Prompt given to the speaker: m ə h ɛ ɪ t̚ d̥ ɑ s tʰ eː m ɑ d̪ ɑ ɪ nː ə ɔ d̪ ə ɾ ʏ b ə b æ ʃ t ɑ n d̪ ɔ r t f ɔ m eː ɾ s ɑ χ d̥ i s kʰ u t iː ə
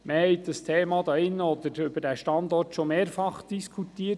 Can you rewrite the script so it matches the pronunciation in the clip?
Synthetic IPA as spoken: m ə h ɛ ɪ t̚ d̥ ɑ s tʰ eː m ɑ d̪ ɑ ɪ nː ə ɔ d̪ ə ɾ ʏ b ə d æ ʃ t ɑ n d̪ ɔ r t ʃ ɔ m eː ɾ f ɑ χ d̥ i s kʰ u t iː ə